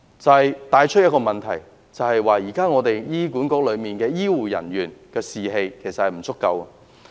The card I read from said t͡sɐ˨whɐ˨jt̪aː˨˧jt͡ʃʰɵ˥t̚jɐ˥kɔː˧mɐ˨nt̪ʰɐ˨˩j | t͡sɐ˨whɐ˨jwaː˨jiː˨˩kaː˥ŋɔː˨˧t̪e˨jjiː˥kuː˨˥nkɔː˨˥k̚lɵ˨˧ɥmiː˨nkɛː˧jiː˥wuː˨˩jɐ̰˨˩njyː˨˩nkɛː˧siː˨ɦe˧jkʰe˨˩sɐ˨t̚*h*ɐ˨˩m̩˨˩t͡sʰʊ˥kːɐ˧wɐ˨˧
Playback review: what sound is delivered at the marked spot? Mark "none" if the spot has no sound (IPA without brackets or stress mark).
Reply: h